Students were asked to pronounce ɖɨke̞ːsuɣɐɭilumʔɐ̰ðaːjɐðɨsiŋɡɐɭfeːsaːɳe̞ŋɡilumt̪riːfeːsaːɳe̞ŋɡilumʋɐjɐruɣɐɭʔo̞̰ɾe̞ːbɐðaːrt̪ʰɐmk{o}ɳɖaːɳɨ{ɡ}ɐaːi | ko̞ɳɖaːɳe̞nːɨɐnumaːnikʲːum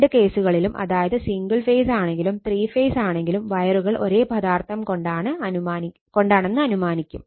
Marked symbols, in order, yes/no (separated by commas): yes, no